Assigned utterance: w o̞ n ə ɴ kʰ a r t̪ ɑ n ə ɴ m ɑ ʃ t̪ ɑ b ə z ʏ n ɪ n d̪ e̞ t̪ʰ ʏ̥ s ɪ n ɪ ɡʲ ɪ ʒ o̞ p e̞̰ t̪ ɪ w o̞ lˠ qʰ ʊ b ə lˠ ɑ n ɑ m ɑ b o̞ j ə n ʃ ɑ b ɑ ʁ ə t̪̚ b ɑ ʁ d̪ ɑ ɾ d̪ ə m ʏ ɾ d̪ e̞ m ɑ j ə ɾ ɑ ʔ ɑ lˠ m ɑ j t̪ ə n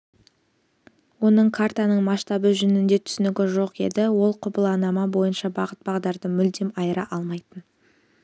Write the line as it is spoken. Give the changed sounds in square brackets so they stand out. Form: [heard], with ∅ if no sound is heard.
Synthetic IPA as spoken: w o̞ n ə ɴ kʰ a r t̪ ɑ n ə ɴ m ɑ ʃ t̪ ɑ b ə [ʒ] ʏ n ɪ n d̪ e̞ t̪ʰ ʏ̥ s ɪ n ɪ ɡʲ ɪ ʒ o̞ [q] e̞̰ [d̪] ɪ w o̞ lˠ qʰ ʊ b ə lˠ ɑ n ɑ m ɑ b o̞ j ə n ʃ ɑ b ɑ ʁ ə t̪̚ b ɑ ʁ d̪ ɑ ɾ d̪ ə m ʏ [l] d̪ e̞ m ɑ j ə ɾ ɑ ʔ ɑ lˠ m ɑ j t̪ ə n

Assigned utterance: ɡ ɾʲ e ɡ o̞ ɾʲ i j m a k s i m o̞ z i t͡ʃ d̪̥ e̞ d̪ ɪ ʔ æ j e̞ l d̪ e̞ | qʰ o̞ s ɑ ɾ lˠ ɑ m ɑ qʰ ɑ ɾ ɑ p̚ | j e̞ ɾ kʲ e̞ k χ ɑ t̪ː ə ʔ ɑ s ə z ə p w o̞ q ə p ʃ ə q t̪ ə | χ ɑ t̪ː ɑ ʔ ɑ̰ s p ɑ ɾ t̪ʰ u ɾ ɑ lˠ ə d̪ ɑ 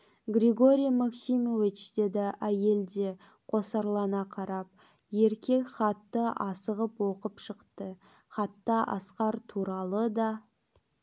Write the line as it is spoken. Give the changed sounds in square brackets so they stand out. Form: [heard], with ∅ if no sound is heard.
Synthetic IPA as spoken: ɡ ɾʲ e ɡ o̞ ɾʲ i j m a k s i m o̞ [v] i t͡ʃ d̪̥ e̞ d̪ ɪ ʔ æ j e̞ l d̪ e̞ | qʰ o̞ s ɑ ɾ lˠ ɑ [n] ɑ qʰ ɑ ɾ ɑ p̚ | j e̞ ɾ kʲ e̞ k χ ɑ t̪ː ə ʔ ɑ s ə [ʁ] ə p w o̞ q ə p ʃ ə q t̪ ə | χ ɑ t̪ː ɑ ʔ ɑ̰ s [q] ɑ ɾ t̪ʰ u ɾ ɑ lˠ ə d̪ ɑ

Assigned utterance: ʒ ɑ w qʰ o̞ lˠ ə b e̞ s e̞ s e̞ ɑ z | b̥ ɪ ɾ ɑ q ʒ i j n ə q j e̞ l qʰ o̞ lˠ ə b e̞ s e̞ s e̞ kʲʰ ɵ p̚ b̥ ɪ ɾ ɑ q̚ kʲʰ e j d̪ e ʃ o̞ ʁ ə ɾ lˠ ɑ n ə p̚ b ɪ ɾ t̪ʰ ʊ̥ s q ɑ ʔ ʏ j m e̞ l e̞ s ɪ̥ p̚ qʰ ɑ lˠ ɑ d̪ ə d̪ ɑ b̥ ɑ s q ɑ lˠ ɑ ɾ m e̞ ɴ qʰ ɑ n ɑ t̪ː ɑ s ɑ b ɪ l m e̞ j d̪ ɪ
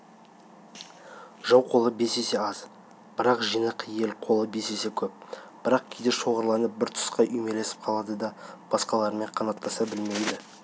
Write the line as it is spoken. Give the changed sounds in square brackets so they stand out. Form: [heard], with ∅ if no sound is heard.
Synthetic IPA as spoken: ʒ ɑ w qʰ o̞ lˠ ə b e̞ s e̞ s e̞ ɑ z | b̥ ɪ ɾ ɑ q ʒ i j n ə q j e̞ l qʰ o̞ lˠ ə b e̞ s e̞ s e̞ kʲʰ ɵ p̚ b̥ ɪ ɾ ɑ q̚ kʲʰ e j d̪ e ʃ o̞ ʁ ə ɾ lˠ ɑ n ə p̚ b ɪ ɾ t̪ʰ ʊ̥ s q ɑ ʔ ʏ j m e̞ l e̞ s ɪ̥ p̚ qʰ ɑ lˠ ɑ d̪ ə d̪ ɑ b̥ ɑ s q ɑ lˠ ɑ ɾ m e̞ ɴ qʰ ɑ n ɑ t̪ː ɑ s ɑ b ɪ l m e̞ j d̪ ɪ

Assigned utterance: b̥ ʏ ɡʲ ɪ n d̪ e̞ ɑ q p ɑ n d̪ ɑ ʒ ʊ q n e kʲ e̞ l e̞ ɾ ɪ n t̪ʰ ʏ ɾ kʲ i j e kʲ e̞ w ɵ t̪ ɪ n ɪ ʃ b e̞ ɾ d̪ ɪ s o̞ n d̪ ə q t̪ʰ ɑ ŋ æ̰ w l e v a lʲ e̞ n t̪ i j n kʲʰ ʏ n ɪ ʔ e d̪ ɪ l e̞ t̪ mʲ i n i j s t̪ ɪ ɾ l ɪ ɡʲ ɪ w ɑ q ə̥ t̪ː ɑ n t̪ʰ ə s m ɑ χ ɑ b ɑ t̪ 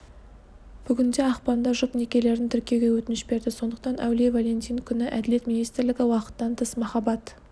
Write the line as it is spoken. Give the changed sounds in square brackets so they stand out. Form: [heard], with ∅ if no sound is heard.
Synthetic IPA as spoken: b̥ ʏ ɡʲ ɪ n d̪ e̞ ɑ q p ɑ n d̪ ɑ ʒ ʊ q n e kʲ e̞ l e̞ ɾ ɪ n t̪ʰ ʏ ɾ kʲ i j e [ɡʲ] e̞ w ɵ t̪ ɪ n ɪ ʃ b e̞ ɾ d̪ ɪ s o̞ n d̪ ə q [t̪] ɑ [n] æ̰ w l e v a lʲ e̞ n t̪ i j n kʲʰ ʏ n ɪ ʔ [æ] d̪ ɪ l e̞ t̪ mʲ i n i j s t̪ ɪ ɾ l ɪ ɡʲ ɪ w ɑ q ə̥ t̪ː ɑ n t̪ʰ ə s m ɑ χ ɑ b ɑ t̪

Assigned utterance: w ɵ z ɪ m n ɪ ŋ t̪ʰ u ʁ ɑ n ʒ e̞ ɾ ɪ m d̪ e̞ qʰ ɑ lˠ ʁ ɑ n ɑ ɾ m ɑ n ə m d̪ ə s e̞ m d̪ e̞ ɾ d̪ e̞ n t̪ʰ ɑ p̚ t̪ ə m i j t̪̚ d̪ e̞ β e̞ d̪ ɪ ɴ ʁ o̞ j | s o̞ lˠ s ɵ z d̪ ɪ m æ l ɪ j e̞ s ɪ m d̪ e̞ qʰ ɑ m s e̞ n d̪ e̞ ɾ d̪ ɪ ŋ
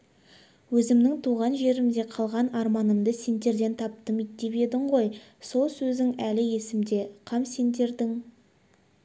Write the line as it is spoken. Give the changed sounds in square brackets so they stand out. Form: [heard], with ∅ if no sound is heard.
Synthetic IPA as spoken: w ɵ z ɪ m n ɪ ŋ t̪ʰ u ʁ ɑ n ʒ e̞ ɾ ɪ m d̪ e̞ qʰ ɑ lˠ ʁ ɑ n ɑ ɾ m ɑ n ə m d̪ ə s e̞ [n] d̪ e̞ ɾ d̪ e̞ n t̪ʰ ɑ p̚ t̪ ə m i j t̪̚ d̪ e̞ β e̞ d̪ ɪ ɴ ʁ o̞ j | s o̞ lˠ s ɵ z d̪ ɪ [ŋ] æ l ɪ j e̞ s ɪ m d̪ e̞ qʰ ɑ m s e̞ n d̪ e̞ ɾ d̪ ɪ ŋ

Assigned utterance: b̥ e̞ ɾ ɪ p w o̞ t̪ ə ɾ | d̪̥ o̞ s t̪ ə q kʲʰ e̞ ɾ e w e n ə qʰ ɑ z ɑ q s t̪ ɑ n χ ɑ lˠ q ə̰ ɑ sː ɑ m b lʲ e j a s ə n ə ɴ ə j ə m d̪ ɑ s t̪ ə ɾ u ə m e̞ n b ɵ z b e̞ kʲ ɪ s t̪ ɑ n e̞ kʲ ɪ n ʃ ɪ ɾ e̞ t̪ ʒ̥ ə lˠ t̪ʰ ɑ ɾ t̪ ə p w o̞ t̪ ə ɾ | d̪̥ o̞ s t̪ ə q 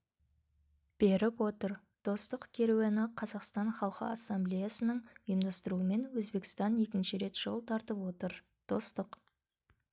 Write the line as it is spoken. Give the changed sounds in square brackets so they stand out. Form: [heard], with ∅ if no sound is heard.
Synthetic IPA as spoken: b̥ e̞ ɾ ɪ p w o̞ t̪ ə ɾ | d̪̥ o̞ s t̪ ə q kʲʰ e̞ ɾ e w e n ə qʰ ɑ z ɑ q s t̪ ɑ n χ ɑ lˠ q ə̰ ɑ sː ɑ m b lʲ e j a s ə n ə ɴ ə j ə m d̪ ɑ s t̪ ə ɾ u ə m e̞ n [w] ɵ z b e̞ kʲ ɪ s t̪ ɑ n e̞ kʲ ɪ n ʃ ɪ ɾ e̞ t̪ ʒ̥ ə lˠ t̪ʰ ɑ ɾ t̪ ə p w o̞ t̪ ə ɾ | d̪̥ o̞ s t̪ ə q

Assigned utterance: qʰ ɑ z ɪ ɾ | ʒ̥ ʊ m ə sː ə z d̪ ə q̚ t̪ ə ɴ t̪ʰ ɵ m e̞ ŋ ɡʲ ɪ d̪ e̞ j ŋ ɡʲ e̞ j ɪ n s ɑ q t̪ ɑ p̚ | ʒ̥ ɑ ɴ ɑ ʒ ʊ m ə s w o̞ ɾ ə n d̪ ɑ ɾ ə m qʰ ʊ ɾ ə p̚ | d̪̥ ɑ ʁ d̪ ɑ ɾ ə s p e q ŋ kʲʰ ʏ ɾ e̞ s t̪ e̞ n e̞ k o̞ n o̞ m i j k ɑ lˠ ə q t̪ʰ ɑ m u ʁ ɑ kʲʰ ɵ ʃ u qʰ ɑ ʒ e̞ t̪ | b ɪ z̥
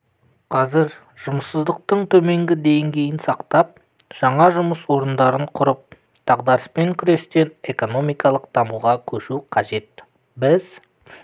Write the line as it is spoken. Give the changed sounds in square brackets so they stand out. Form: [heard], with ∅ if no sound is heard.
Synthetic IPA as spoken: qʰ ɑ z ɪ ɾ | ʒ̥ ʊ m ə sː ə z d̪ ə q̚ t̪ ə ɴ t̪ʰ ɵ m e̞ ŋ ɡʲ ɪ d̪ e̞ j ŋ ɡʲ e̞ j ɪ n s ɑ q t̪ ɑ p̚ | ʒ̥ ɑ ɴ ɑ ʒ ʊ m ə s w o̞ ɾ ə n d̪ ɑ ɾ ə [ɴ] qʰ ʊ ɾ ə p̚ | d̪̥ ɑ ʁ d̪ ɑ ɾ ə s p e [∅] ŋ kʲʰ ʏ ɾ e̞ s t̪ e̞ n e̞ k o̞ n o̞ m i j k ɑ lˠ ə q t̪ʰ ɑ m u ʁ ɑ kʲʰ ɵ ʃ u qʰ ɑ ʒ e̞ t̪ | b ɪ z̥

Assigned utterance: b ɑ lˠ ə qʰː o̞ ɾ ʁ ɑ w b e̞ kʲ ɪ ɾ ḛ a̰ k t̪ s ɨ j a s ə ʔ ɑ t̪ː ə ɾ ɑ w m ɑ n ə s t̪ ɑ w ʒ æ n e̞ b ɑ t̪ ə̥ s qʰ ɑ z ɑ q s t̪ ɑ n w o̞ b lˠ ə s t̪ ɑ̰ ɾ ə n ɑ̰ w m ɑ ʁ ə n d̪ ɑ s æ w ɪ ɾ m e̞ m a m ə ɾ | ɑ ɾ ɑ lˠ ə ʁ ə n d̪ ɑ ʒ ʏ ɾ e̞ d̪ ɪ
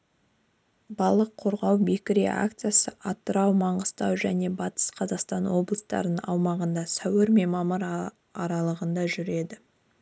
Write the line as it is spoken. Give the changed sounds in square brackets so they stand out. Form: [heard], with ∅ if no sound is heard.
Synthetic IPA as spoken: b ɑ lˠ ə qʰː o̞ ɾ ʁ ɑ w b e̞ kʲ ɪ ɾ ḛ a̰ k t̪ s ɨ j a s ə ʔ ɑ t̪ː ə ɾ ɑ w m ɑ [ɴ] ə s t̪ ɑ w ʒ æ n e̞ b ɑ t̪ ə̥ s qʰ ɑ z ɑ q s t̪ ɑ n w o̞ b lˠ ə s t̪ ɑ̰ ɾ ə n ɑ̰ w m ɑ ʁ ə n d̪ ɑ s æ w ɪ ɾ m e̞ m [ɑ] m ə ɾ | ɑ ɾ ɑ lˠ ə ʁ ə n d̪ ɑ ʒ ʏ ɾ e̞ d̪ ɪ

